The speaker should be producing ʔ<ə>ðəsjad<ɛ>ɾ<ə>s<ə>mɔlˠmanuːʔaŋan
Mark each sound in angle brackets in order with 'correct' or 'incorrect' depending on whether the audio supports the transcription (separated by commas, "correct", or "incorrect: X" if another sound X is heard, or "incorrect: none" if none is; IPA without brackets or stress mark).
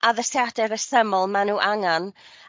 incorrect: a, correct, correct, correct